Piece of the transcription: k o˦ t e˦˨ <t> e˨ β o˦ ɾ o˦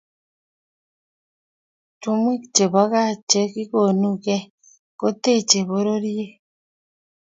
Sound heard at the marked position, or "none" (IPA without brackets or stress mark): t͡ʃ